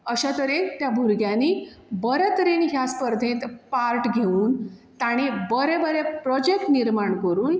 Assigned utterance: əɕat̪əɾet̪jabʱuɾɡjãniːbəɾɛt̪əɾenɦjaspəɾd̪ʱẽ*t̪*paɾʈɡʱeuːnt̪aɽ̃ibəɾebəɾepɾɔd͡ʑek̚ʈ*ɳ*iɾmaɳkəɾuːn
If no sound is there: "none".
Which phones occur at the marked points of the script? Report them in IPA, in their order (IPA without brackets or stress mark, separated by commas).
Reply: t̪, n